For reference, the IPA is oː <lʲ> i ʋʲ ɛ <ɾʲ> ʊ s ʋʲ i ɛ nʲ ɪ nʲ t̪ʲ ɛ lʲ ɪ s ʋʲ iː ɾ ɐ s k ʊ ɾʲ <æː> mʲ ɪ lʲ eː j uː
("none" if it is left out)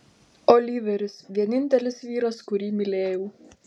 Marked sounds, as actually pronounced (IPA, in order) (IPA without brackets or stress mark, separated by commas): lʲ, ɾʲ, iː